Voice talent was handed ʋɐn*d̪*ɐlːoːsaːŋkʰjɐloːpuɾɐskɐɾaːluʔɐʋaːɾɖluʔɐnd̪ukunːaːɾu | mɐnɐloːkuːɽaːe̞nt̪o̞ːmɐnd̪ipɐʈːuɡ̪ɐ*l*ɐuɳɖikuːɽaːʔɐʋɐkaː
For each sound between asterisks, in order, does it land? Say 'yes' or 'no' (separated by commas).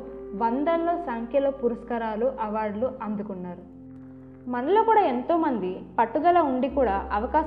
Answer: yes, yes